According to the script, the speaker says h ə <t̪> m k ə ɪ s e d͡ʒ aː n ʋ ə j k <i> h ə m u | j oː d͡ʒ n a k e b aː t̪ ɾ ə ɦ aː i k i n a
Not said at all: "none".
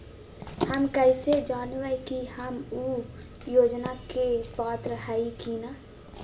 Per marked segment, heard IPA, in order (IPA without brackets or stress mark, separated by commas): none, i